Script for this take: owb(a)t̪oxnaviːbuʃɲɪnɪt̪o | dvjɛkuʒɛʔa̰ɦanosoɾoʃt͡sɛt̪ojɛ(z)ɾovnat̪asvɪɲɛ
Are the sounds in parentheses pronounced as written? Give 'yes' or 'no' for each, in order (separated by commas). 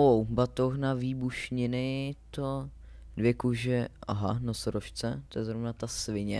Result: yes, yes